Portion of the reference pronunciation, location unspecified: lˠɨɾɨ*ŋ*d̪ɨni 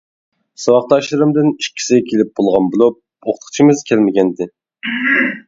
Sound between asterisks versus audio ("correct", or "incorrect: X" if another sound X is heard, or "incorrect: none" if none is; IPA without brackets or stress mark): incorrect: m